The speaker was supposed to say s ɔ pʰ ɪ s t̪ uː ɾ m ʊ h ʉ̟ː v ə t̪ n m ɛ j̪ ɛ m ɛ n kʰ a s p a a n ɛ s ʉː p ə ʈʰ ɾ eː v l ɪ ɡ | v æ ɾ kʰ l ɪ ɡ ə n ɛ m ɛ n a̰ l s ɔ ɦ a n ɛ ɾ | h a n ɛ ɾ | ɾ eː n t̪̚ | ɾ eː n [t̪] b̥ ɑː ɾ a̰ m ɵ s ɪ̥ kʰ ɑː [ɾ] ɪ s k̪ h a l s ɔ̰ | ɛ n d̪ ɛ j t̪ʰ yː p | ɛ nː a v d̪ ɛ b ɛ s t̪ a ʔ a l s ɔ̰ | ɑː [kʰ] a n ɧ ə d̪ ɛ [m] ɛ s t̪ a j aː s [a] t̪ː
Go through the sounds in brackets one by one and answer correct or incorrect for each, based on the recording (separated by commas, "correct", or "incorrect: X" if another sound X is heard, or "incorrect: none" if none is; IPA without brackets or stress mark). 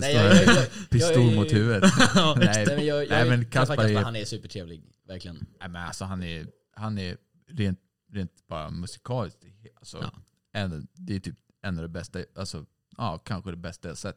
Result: correct, incorrect: l, correct, incorrect: b, incorrect: ɛ